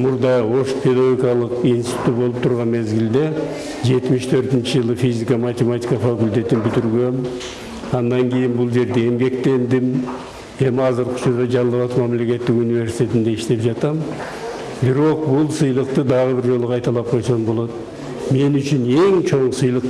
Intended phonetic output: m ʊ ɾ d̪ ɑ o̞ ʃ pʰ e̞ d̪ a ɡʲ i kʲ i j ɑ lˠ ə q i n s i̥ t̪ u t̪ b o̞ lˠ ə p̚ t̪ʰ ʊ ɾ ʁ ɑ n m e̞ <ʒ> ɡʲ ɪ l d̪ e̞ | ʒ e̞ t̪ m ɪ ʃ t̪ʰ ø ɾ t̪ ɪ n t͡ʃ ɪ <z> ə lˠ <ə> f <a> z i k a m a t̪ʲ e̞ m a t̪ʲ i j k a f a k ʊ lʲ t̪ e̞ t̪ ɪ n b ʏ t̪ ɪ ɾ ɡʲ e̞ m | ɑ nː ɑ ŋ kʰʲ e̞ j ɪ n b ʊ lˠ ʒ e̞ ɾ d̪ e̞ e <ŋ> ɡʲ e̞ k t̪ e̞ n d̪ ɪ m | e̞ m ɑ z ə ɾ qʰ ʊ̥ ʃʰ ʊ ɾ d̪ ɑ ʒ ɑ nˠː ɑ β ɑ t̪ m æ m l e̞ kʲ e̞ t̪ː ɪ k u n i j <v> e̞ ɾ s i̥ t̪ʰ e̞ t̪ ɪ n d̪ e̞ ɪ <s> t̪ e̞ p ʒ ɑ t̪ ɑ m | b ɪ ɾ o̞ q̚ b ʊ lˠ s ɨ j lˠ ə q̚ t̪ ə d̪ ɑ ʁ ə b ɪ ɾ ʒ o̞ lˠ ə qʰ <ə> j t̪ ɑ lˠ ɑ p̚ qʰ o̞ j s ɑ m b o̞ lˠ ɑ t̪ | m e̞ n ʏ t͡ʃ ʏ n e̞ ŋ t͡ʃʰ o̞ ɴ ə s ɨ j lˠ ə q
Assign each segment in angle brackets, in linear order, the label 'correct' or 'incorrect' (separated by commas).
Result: incorrect, incorrect, correct, incorrect, incorrect, correct, incorrect, incorrect